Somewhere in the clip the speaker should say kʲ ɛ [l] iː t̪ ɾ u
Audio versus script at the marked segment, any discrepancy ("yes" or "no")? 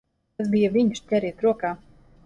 yes